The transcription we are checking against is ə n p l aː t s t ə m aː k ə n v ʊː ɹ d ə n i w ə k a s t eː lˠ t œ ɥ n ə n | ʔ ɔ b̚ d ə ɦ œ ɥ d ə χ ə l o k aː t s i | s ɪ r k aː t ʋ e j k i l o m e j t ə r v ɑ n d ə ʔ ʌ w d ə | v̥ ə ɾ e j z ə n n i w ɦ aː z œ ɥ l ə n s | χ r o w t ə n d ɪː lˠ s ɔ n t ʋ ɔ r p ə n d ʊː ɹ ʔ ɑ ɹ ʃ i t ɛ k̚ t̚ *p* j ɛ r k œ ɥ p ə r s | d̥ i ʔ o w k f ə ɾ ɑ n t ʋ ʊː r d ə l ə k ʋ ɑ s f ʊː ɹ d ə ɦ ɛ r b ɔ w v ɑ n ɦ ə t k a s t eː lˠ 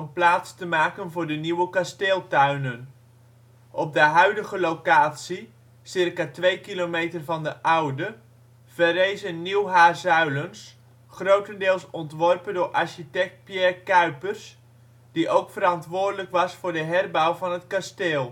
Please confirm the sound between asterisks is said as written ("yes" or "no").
yes